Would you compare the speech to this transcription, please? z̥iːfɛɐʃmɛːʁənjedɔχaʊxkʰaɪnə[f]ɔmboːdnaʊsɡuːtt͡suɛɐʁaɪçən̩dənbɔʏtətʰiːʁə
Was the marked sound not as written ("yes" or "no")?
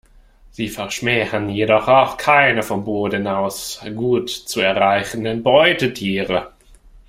no